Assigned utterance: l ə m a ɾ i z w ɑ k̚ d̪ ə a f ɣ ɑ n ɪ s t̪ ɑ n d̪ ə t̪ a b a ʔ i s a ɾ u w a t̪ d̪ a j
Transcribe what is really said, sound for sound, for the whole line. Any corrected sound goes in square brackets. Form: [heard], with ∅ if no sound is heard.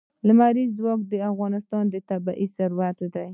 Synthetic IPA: l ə m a ɾ i z w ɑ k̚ d̪ ə a f ɣ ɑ n ɪ s t̪ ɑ n d̪ ə t̪ a b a ʔ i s a ɾ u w a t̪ d̪ a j

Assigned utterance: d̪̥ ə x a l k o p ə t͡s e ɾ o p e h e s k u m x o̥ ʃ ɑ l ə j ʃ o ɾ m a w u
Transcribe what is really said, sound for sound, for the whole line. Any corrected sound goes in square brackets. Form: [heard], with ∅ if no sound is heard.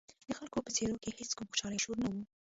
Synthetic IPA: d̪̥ ə x a l k o p ə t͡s e ɾ o [k] e h e s k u m x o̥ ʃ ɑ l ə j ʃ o ɾ [n] a w u

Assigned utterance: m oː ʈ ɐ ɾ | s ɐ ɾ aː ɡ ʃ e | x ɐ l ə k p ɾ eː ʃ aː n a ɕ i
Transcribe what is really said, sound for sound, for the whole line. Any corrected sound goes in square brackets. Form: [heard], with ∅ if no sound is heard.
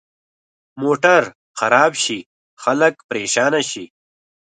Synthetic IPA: m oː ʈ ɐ ɾ | [x] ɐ ɾ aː [b] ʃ [i] | x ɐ l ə k p ɾ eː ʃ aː n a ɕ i

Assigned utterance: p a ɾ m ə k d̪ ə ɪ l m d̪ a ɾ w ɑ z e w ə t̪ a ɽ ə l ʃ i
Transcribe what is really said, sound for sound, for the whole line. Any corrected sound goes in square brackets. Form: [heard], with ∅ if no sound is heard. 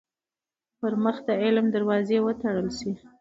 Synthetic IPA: p [ə] ɾ m ə [x] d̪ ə ɪ l m d̪ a ɾ w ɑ z e w ə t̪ a ɽ ə l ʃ i

